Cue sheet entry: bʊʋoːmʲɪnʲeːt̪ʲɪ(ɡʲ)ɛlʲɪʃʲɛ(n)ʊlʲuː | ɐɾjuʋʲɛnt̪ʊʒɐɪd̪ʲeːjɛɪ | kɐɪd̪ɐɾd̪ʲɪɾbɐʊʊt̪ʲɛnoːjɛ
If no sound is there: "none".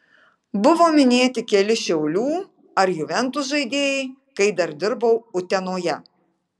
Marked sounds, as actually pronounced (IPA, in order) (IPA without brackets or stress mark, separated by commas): kʲ, none